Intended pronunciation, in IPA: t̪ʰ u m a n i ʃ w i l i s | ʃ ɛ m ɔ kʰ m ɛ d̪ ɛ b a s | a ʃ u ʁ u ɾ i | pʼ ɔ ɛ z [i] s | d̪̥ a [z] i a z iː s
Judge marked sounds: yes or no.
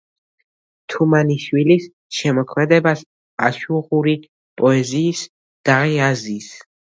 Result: no, no

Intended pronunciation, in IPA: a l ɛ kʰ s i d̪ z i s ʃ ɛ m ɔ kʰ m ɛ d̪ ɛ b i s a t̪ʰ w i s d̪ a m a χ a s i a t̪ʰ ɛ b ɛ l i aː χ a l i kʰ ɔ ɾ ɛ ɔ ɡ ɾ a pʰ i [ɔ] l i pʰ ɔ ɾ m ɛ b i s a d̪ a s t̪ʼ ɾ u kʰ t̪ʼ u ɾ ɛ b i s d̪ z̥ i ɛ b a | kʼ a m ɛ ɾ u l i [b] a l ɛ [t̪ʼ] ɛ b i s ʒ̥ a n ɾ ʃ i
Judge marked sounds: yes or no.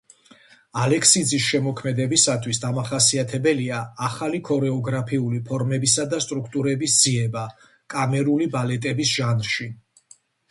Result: no, yes, yes

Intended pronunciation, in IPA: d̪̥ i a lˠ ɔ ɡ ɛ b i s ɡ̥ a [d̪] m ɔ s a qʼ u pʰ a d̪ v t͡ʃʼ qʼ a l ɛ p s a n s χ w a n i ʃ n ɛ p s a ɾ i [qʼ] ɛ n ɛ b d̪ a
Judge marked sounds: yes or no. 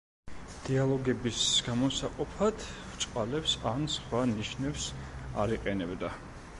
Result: no, yes

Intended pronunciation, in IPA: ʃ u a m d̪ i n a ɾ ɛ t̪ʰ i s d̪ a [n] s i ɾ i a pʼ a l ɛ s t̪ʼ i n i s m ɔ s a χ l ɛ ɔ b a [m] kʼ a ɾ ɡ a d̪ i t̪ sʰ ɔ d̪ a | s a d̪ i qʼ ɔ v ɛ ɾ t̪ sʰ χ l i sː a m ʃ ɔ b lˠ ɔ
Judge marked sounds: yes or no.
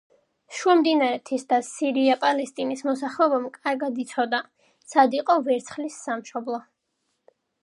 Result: no, yes

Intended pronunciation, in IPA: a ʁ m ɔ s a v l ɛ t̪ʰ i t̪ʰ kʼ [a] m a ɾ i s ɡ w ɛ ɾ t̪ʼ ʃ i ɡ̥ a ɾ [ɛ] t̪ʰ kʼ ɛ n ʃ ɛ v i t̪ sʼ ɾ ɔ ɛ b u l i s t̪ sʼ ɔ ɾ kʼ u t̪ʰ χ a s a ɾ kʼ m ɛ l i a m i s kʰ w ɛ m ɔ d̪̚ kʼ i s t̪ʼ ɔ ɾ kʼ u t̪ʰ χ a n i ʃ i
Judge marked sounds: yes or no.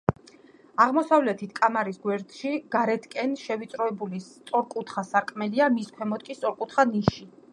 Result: yes, yes

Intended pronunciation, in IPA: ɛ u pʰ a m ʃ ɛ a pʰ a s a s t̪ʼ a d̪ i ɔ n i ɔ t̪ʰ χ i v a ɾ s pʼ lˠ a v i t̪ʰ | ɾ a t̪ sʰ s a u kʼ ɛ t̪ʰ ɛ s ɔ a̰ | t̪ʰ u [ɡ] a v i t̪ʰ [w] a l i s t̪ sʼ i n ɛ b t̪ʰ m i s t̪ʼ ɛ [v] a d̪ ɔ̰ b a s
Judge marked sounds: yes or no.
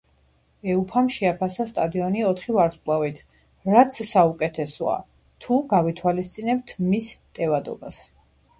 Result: yes, yes, yes

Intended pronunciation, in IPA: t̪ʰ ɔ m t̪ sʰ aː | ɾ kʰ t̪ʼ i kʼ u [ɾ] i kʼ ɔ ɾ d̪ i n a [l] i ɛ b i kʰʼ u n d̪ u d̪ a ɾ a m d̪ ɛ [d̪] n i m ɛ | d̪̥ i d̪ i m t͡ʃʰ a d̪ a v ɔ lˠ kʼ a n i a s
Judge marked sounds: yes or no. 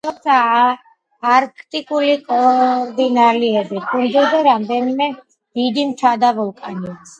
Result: no, yes, no

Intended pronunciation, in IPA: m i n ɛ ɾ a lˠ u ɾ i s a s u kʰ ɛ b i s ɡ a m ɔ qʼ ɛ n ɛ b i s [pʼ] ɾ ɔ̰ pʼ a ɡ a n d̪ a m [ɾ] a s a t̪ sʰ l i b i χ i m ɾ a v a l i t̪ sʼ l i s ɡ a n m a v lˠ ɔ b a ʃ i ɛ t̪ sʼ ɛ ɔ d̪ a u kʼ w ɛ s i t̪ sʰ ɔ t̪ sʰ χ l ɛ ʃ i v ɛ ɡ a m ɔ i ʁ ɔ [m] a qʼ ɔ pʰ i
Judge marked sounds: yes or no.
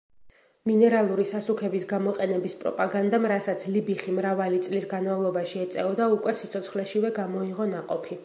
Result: yes, yes, no

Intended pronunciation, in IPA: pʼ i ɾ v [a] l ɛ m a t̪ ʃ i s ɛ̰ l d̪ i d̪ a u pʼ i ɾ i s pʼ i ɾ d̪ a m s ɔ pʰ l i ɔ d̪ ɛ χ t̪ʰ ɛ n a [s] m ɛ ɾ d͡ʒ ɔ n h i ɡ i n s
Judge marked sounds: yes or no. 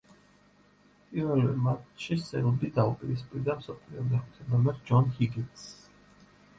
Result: no, no

